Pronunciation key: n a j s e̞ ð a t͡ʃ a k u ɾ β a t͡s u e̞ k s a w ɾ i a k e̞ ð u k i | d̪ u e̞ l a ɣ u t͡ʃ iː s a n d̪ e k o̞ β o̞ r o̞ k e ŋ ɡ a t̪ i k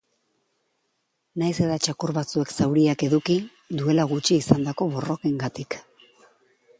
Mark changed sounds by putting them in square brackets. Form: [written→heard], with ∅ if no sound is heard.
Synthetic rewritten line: n a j s e̞ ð a t͡ʃ a k u ɾ β a t͡s u e̞ k s a w ɾ i a k e̞ ð u k i | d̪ u e̞ l a ɣ u t͡ʃ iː s a n d̪ [e→a] k o̞ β o̞ r o̞ k e ŋ ɡ a t̪ i k